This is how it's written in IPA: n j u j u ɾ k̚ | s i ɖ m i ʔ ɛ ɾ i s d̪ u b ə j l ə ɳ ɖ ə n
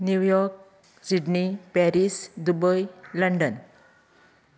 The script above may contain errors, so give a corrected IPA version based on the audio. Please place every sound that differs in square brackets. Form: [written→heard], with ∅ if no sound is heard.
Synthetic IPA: n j u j [u→ɔ] ɾ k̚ | s i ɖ [m→n] i [ʔ→p] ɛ ɾ i s d̪ u b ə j l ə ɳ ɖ ə n

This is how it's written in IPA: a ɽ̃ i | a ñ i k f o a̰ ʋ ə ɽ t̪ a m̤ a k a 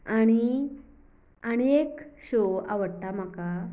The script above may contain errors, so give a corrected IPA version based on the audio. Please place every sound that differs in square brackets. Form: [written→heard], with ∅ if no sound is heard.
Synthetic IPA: a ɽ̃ i | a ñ [i→e] k [f→ɕ] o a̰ ʋ ə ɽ t̪ a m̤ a k a

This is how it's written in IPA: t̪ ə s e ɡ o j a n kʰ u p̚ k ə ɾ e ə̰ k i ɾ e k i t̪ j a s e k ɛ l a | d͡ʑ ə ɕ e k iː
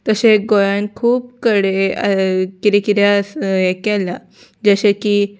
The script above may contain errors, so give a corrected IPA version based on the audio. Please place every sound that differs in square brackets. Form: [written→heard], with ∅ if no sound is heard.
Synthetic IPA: t̪ ə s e ɡ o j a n kʰ [u→uː] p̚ k ə [ɾ→ɽ] e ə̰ k i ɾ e k i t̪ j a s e k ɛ l a | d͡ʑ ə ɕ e k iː

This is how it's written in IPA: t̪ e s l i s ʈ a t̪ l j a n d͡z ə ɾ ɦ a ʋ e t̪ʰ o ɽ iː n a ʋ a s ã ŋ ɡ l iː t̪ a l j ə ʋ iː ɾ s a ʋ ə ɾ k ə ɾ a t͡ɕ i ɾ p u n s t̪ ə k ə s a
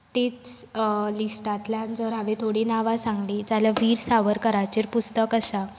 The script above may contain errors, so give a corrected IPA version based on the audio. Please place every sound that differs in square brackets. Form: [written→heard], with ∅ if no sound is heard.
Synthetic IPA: t̪ e [s→t͡s] l i s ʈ a t̪ l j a n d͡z ə ɾ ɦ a ʋ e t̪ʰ o ɽ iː n a ʋ a s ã ŋ ɡ l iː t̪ a l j [ə→a] ʋ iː ɾ s a ʋ ə ɾ k ə ɾ a t͡ɕ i ɾ p u [n→∅] s t̪ ə k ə s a

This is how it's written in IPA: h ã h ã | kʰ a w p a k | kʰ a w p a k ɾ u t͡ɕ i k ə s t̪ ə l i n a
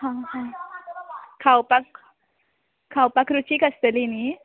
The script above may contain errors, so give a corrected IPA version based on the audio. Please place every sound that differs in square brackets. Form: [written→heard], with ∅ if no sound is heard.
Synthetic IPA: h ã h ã | kʰ a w p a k | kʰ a w p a k ɾ u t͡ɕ i k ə s t̪ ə l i n [a→i]

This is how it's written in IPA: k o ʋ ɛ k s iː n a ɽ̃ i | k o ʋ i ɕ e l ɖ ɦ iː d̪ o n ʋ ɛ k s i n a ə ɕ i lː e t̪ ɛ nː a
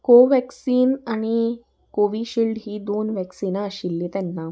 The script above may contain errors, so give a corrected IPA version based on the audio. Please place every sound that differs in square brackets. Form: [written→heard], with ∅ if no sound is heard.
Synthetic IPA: k o ʋ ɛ k s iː n a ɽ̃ i | k o ʋ i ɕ [e→i] l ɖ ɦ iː d̪ o n ʋ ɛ k s i n a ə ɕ i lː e t̪ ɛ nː a

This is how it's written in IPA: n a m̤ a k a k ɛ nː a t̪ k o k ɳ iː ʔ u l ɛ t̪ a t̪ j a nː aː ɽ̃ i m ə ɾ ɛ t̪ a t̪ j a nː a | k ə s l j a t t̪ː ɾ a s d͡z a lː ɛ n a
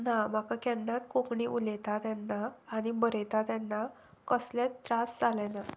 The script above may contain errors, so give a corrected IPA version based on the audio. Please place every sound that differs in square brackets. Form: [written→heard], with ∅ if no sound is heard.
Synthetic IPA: n a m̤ a k a k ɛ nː a t̪ k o k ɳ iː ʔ u l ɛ t̪ a t̪ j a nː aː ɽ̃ i [m→b] ə ɾ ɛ t̪ a t̪ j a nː a | k ə s l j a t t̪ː ɾ a s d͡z a [lː→l] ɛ n a

